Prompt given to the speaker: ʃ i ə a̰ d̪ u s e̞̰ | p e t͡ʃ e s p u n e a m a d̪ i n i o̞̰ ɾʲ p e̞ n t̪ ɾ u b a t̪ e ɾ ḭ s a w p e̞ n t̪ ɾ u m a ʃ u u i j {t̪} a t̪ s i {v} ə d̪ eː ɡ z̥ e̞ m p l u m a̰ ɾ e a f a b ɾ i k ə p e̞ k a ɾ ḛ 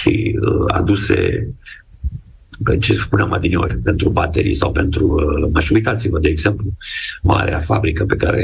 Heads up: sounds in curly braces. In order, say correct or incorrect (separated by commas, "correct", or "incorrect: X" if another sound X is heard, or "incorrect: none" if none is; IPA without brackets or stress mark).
correct, correct